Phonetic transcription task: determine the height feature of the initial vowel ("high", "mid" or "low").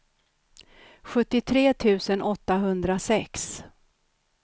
mid